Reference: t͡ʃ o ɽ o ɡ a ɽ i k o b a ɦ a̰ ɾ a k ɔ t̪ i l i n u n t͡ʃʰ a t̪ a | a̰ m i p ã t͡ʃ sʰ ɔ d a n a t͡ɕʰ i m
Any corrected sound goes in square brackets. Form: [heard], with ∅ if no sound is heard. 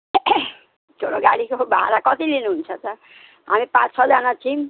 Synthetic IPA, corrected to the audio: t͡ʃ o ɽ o ɡ a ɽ i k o b a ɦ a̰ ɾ a k ɔ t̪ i l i n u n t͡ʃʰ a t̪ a | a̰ m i p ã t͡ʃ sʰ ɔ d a n a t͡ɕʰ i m